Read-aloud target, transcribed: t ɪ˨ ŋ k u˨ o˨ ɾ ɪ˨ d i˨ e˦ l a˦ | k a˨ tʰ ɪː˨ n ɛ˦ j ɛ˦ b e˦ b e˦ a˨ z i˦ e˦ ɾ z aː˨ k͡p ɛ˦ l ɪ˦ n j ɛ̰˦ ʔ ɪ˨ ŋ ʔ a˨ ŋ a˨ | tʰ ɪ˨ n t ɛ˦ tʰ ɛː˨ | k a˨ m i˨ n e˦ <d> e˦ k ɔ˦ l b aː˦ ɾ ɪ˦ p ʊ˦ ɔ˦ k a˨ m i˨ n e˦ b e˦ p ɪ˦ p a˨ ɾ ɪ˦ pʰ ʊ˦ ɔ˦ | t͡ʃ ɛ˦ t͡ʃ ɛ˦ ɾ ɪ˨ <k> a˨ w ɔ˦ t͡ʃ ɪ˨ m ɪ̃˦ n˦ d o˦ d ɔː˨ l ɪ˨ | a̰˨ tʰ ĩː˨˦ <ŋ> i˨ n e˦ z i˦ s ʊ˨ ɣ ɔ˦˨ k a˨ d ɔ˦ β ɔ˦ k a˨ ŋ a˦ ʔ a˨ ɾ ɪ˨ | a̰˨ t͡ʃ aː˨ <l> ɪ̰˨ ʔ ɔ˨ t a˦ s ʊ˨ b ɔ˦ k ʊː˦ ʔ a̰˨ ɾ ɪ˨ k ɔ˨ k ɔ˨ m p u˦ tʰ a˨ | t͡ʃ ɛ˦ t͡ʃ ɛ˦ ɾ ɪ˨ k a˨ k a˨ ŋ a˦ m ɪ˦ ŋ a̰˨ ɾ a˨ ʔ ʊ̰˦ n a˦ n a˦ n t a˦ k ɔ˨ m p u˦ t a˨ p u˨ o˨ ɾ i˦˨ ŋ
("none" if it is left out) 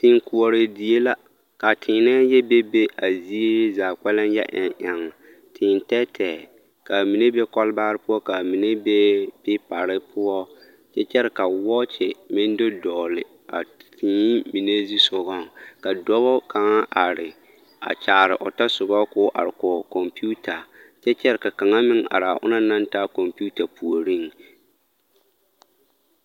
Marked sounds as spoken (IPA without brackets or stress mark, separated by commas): b, k, m, ɾ